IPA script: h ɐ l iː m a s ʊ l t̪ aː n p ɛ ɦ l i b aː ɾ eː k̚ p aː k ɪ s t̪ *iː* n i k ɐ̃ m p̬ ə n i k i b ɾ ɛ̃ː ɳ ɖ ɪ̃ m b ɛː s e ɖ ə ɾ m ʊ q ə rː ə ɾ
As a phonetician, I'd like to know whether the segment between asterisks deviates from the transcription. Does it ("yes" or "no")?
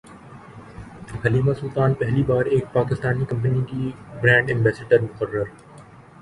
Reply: yes